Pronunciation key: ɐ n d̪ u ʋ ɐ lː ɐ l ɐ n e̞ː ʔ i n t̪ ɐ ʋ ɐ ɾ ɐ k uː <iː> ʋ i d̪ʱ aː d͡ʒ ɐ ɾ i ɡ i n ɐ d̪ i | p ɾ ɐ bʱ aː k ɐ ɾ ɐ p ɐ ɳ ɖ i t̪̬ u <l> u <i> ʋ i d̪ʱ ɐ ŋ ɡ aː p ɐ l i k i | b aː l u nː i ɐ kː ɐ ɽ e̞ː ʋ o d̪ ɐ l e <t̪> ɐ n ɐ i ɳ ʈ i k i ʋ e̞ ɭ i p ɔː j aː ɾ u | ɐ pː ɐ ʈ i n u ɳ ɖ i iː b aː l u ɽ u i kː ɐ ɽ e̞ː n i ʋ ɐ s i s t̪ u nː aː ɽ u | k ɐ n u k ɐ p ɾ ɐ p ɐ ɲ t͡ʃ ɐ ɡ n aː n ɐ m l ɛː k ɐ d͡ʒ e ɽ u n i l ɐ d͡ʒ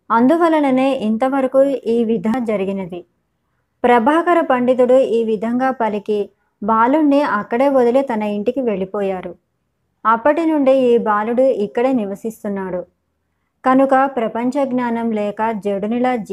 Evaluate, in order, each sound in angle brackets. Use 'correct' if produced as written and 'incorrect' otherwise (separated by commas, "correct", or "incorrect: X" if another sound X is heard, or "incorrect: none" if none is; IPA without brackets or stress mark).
correct, incorrect: ɽ, incorrect: iː, correct